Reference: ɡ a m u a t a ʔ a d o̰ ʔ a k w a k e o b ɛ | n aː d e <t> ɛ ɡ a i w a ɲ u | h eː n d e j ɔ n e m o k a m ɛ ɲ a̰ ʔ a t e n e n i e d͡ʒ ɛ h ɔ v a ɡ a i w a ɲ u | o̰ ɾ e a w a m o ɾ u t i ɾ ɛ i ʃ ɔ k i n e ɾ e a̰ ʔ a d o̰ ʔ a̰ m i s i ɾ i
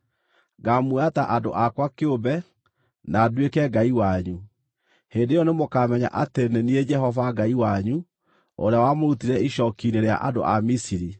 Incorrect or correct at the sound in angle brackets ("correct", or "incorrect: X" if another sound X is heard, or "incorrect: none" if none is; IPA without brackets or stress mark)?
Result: incorrect: k